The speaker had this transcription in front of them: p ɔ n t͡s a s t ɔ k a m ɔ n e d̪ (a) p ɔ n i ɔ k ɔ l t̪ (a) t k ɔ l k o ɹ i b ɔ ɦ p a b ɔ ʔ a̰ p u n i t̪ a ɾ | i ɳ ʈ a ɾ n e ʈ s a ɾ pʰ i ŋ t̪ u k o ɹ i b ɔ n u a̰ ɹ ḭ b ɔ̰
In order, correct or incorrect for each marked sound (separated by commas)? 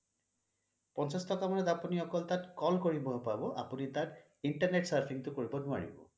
correct, correct